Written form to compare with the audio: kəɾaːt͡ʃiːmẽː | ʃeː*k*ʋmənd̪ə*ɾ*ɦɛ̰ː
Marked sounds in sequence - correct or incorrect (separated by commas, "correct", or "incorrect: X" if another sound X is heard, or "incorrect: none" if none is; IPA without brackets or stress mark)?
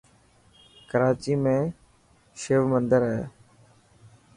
incorrect: none, correct